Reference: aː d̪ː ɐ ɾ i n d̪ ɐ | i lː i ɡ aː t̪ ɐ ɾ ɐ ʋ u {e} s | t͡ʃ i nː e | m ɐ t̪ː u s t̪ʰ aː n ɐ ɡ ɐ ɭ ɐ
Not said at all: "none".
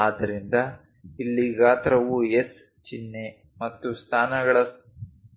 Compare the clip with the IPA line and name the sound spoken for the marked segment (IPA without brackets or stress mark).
e